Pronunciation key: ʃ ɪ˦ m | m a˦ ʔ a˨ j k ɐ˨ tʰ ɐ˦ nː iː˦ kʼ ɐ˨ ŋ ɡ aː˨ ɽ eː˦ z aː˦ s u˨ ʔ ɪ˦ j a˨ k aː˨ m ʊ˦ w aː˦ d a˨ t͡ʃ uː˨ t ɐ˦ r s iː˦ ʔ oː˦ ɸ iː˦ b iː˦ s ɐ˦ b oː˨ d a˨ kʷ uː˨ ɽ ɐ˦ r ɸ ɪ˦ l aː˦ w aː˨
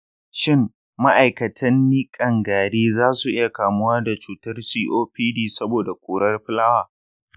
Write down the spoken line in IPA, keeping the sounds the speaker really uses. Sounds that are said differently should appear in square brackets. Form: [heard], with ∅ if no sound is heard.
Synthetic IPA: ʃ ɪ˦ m | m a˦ ʔ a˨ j k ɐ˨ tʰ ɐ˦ nː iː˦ kʼ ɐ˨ ŋ ɡ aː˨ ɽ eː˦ z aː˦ s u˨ ʔ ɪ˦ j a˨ k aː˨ m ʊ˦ w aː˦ d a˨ t͡ʃ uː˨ t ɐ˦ r s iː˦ ʔ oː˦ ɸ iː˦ [d] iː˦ s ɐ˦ b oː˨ d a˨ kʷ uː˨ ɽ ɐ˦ r ɸ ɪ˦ l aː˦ w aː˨